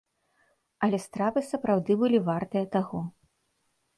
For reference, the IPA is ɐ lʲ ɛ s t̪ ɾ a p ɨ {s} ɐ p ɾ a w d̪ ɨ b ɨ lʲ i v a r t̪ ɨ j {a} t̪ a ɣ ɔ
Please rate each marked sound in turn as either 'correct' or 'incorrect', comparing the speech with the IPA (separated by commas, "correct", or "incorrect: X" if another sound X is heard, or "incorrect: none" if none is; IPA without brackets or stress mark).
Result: correct, incorrect: ɐ